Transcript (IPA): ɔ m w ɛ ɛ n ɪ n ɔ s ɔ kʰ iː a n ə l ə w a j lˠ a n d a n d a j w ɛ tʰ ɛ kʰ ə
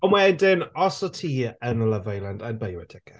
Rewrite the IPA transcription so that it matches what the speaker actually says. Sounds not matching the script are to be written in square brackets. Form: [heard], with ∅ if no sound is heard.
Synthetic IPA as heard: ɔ m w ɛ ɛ [d] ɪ n ɔ s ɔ [tʰ] iː [ə] n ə l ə [v] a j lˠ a n d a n [b] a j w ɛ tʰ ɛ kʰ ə